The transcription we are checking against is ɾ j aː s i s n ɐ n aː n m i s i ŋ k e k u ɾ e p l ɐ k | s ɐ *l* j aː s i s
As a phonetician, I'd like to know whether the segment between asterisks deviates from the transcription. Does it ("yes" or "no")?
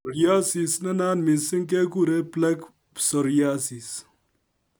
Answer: yes